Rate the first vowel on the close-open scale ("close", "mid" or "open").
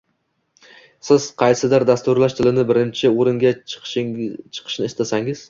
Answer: close